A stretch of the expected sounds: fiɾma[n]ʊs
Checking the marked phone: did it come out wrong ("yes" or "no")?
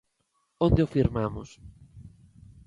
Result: yes